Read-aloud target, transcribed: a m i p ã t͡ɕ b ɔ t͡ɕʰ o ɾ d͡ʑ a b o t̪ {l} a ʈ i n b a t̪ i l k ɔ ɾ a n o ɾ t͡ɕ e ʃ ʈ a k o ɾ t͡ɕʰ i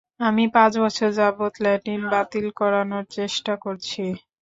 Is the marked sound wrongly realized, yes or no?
no